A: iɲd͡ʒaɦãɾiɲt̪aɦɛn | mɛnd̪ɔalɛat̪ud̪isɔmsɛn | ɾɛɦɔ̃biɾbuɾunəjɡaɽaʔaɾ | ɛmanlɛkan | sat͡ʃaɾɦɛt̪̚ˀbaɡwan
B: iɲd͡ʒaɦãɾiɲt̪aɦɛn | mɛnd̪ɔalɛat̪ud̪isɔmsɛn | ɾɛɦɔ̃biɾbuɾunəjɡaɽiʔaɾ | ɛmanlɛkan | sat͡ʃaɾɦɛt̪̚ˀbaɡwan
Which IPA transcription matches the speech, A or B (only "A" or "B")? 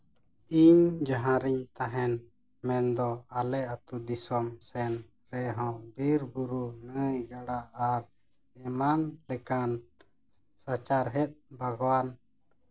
A